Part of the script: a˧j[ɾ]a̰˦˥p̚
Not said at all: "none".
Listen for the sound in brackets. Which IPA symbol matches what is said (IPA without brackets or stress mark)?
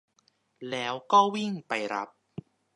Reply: ɾ